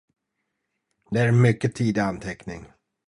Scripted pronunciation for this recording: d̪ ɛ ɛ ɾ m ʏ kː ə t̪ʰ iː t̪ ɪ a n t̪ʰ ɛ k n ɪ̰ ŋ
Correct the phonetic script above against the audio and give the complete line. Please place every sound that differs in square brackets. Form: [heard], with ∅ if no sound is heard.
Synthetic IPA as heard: d̪ ɛ [æ] ɾ m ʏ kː ə t̪ʰ iː [d̪] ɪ a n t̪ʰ ɛ k n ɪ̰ ŋ